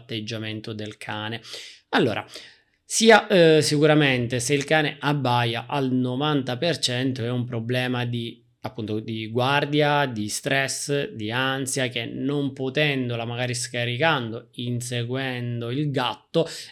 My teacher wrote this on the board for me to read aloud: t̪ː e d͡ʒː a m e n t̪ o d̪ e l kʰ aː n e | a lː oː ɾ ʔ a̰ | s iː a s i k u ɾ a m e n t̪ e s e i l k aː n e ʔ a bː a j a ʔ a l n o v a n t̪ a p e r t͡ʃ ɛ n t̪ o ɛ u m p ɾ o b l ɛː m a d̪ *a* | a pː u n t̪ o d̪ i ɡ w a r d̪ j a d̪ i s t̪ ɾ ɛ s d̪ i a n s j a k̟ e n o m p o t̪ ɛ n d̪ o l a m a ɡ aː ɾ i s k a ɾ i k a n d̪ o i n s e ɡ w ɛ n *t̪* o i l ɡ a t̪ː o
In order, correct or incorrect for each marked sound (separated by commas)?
incorrect, incorrect